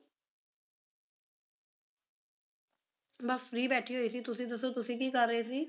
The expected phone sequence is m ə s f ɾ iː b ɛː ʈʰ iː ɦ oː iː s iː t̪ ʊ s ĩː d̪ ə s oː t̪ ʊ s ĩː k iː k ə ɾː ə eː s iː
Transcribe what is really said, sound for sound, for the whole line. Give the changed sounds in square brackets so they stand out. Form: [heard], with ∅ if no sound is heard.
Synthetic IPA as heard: [b] ə s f ɾ iː b ɛː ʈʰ iː ɦ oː iː s iː t̪ ʊ s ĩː d̪ ə s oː t̪ ʊ s ĩː k iː k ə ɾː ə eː s iː